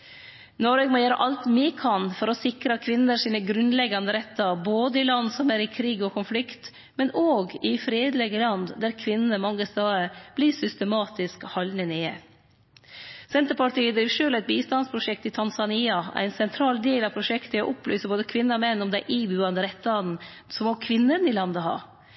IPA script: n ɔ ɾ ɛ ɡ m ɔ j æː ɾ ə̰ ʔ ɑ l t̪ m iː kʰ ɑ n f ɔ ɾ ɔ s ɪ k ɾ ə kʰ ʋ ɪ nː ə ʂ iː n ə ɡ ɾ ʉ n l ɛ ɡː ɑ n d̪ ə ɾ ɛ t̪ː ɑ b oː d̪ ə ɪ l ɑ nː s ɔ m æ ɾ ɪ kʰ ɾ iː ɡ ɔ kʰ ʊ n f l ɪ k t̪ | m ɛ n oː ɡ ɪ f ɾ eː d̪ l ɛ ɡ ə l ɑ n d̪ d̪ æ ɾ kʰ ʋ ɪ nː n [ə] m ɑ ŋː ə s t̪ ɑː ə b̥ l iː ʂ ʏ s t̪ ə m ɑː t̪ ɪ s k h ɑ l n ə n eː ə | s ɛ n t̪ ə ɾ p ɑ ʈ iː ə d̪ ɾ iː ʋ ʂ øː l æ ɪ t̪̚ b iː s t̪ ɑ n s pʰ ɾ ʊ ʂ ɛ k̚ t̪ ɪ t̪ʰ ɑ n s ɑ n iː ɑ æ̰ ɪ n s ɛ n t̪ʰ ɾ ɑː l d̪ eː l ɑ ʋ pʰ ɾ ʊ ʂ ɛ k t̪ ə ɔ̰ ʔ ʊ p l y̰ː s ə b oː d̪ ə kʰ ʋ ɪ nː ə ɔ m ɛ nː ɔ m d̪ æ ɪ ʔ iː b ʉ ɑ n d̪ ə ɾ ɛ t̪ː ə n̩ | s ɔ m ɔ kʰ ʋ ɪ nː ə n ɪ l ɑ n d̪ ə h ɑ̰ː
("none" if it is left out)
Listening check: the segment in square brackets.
ə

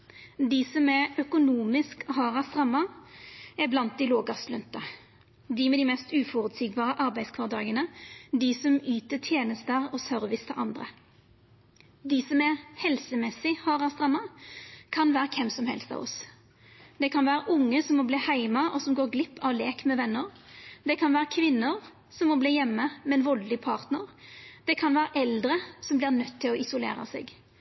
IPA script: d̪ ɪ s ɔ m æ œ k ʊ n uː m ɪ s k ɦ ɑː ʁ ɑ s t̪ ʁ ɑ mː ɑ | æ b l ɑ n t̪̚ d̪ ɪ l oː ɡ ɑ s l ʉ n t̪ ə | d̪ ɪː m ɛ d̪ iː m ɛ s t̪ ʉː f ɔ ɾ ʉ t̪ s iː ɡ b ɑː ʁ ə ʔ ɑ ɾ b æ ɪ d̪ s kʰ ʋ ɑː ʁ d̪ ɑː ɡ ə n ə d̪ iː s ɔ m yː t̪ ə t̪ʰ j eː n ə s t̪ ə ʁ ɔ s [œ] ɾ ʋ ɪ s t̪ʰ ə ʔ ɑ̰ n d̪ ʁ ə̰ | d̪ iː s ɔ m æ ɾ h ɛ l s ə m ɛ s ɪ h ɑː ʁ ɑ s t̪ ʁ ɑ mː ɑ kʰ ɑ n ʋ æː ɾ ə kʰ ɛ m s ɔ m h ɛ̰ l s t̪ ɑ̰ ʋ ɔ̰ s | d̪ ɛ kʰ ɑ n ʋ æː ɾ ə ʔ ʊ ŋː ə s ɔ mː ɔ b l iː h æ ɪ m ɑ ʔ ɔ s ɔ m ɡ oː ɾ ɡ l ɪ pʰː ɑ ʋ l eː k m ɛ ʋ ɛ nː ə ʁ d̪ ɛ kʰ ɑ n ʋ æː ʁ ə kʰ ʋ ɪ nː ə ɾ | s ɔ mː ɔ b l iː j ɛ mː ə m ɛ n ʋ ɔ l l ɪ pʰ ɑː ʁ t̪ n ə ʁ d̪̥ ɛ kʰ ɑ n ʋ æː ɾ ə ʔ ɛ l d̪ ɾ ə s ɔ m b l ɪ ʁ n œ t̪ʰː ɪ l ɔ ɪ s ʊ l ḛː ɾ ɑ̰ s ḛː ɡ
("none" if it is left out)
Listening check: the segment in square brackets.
œ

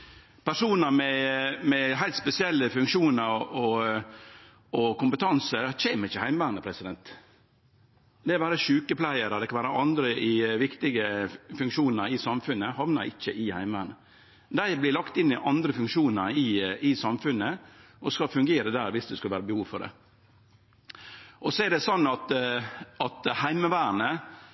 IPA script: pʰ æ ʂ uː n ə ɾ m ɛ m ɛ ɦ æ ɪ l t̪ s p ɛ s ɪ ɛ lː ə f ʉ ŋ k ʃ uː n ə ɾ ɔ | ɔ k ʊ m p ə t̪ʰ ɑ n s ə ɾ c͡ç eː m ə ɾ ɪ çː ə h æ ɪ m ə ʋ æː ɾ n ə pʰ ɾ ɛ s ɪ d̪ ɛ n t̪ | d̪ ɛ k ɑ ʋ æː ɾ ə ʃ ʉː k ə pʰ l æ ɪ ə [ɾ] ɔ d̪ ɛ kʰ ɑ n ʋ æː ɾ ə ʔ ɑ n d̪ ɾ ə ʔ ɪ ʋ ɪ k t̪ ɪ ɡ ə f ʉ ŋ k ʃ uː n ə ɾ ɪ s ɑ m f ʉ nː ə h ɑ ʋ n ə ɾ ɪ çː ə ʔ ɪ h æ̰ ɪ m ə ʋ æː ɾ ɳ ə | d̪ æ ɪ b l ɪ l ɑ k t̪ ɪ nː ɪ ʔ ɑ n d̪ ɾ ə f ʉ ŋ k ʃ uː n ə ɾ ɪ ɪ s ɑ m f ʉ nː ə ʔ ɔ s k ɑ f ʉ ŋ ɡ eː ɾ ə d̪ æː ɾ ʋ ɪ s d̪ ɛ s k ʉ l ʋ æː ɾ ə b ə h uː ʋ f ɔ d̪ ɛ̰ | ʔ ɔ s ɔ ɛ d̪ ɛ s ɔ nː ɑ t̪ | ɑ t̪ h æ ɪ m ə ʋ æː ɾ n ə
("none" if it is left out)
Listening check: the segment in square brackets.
ɾ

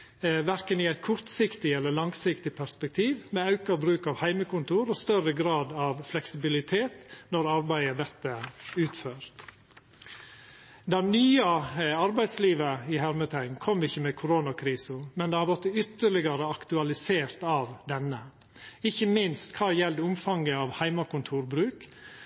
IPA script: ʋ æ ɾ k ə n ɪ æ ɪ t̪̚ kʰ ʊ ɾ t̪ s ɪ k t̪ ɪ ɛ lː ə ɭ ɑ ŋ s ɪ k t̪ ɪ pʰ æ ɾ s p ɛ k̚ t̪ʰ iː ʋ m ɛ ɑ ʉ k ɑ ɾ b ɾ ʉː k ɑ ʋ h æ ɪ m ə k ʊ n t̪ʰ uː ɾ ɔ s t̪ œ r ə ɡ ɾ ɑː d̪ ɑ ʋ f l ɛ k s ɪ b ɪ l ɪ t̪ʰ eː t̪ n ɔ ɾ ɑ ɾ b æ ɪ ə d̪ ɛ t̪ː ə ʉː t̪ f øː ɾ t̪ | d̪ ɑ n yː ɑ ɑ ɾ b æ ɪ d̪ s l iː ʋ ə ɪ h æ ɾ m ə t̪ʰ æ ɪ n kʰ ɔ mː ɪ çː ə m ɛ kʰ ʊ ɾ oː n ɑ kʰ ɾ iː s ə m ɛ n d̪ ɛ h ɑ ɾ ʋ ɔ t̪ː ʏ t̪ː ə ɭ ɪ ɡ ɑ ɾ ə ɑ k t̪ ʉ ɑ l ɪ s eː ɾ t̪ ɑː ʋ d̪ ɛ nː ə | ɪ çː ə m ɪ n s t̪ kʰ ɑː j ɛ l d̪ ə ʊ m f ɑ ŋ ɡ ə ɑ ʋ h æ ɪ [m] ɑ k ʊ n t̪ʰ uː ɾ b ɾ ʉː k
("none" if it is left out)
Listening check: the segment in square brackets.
m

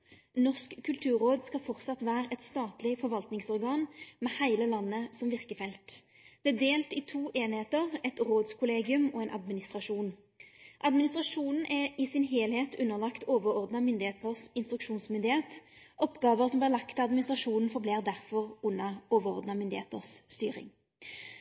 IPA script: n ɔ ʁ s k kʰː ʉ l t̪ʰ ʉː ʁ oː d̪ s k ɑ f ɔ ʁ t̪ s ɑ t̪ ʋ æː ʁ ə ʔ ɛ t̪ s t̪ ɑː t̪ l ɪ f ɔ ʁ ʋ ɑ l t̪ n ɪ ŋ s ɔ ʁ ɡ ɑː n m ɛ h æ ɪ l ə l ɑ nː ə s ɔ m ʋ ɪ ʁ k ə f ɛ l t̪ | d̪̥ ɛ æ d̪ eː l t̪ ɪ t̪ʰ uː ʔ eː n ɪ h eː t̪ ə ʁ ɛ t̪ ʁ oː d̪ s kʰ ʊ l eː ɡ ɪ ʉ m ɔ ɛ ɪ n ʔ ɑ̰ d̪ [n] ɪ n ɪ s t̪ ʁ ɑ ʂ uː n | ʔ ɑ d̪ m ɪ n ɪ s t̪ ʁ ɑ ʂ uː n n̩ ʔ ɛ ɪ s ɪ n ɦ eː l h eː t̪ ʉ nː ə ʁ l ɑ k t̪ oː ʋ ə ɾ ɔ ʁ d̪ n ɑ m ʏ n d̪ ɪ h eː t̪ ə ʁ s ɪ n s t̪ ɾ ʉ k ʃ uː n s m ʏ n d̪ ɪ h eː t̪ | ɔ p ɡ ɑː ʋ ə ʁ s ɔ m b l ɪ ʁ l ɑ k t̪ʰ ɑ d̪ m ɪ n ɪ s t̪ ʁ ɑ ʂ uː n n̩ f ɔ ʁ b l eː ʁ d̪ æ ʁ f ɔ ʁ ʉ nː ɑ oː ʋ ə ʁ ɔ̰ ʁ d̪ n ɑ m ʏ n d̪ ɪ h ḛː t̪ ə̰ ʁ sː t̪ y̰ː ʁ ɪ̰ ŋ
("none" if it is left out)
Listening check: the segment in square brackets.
m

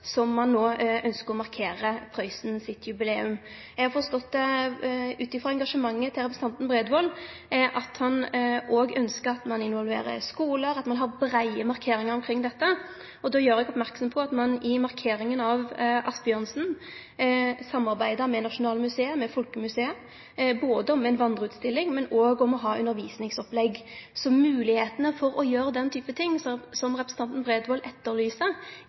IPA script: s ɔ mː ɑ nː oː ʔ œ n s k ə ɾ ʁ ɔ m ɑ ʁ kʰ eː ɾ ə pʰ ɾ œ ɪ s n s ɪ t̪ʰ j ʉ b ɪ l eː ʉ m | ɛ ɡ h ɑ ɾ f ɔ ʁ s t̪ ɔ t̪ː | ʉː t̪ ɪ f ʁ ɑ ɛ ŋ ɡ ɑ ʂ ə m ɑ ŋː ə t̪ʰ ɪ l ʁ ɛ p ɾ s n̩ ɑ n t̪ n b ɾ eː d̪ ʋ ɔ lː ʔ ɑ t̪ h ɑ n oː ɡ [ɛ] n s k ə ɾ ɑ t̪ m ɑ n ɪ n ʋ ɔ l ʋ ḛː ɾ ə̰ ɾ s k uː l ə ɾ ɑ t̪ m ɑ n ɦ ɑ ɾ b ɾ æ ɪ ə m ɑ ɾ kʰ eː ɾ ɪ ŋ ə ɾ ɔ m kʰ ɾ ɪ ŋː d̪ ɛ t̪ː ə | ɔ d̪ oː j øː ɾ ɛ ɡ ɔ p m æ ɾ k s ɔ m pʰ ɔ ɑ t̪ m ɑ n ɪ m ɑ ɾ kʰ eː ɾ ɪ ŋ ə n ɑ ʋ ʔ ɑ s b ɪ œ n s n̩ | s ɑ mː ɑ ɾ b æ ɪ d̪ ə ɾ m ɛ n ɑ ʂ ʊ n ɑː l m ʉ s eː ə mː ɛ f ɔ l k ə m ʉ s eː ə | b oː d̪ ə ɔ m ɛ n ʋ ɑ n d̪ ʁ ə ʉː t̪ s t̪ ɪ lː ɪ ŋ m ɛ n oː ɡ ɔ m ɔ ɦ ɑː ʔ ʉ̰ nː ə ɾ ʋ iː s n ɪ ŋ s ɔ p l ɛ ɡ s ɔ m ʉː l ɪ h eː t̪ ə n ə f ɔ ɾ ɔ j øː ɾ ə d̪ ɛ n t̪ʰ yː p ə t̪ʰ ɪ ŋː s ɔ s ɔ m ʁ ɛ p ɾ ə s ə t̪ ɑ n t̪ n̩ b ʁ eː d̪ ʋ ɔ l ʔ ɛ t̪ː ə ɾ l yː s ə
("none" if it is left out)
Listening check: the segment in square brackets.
œ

